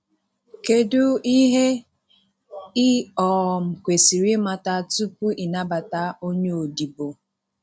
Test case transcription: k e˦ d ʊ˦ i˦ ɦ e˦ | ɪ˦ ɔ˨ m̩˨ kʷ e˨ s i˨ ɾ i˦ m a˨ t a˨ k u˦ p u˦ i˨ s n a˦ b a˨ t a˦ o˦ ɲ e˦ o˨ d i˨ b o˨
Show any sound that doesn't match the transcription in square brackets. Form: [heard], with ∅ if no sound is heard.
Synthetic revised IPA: k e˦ d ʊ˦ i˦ ɦ e˦ | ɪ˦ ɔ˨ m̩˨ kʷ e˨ s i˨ ɾ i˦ m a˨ t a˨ [t] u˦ p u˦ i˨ [∅] n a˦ b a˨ t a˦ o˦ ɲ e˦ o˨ d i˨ b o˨

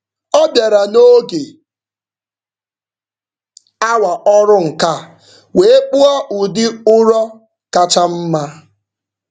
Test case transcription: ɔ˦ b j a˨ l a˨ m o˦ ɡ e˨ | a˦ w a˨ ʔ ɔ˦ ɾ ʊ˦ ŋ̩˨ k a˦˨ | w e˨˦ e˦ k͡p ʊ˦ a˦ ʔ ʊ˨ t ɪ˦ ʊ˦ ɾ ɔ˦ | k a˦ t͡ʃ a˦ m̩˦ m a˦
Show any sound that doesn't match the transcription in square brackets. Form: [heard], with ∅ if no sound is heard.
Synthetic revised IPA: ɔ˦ b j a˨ [ɾ] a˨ [n] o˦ ɡ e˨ | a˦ w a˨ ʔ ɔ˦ ɾ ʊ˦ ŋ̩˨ k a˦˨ | w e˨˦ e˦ k͡p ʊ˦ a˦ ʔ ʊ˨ [d] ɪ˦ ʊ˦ ɾ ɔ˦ | k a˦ t͡ʃ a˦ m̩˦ m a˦

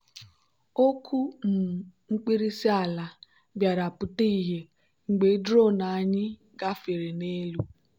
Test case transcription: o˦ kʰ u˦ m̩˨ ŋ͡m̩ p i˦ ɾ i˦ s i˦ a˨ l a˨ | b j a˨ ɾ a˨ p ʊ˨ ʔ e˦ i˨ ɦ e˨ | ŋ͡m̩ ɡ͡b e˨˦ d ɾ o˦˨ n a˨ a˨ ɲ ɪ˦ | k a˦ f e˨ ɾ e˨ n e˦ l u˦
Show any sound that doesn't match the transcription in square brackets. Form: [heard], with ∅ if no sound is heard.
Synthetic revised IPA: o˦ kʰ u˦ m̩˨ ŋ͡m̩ [k͡p] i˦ ɾ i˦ s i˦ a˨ l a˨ | b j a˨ ɾ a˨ p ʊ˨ [t] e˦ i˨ ɦ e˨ | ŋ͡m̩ ɡ͡b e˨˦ d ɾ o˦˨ n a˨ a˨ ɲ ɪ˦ | [ɡ] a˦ f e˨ ɾ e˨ n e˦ l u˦

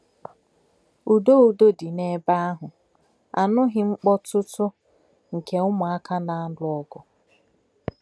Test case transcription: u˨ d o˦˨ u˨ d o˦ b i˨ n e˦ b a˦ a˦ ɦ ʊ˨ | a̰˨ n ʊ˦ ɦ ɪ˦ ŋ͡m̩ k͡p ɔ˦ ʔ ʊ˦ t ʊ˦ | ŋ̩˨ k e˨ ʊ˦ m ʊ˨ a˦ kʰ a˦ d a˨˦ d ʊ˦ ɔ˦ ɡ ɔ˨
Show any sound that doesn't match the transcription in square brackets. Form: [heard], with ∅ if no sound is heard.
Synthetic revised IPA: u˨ d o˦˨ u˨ d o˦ [d] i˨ n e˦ b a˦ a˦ ɦ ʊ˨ | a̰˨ n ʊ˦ ɦ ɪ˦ ŋ͡m̩ k͡p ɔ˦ [t] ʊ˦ t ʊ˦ | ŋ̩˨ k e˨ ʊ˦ m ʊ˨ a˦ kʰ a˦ [n] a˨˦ d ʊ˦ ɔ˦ ɡ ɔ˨

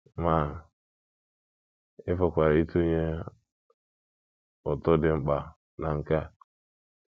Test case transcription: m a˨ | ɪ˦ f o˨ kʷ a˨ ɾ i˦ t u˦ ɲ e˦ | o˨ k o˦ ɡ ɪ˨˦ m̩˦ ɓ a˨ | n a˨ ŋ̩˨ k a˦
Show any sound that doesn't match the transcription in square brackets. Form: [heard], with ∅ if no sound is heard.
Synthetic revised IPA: m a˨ | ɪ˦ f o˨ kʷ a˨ ɾ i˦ t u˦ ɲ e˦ | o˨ [t] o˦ [d] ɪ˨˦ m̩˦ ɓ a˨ | n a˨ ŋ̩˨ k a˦

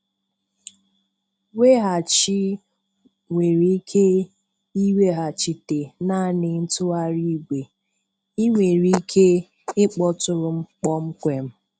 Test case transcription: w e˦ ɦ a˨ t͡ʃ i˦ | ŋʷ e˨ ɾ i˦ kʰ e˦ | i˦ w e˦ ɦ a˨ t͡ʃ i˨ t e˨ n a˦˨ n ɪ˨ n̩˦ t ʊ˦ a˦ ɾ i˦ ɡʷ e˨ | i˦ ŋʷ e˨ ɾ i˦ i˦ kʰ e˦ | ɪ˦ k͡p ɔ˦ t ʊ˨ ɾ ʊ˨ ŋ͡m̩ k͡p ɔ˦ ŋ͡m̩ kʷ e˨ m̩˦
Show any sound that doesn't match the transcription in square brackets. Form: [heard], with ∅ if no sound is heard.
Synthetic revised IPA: w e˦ ɦ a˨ t͡ʃ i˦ | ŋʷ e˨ ɾ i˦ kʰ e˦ | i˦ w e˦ ɦ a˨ t͡ʃ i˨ t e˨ n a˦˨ n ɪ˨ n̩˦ t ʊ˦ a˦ ɾ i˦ ɡʷ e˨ | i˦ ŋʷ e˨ ɾ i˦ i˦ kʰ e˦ | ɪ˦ k͡p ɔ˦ t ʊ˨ ɾ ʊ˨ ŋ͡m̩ k͡p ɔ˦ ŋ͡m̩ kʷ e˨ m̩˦

